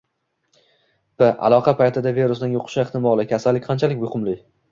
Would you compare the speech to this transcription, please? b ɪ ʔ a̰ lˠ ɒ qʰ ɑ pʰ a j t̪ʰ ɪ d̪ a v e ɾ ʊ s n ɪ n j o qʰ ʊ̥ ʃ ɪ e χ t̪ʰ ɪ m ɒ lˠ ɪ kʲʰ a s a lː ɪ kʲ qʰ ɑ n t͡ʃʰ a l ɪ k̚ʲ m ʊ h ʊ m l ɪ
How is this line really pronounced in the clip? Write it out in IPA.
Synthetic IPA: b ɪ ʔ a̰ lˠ ɒ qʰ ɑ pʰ a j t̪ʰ ɪ d̪ a v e ɾ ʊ s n ɪ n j o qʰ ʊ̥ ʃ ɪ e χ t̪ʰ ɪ m ɒ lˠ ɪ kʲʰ a s a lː ɪ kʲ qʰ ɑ n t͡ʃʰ a l ɪ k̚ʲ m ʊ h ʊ m l ɪ